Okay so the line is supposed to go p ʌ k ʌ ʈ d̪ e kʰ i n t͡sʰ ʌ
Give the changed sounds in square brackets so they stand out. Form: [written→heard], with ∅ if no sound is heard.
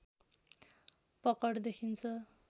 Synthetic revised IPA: p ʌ k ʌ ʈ d̪ e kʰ i n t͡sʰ ʌ